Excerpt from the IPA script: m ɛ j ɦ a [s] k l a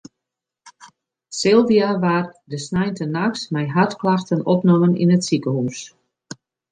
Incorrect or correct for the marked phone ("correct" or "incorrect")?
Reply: incorrect